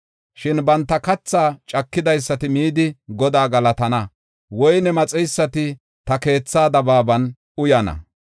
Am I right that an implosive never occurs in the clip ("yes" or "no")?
yes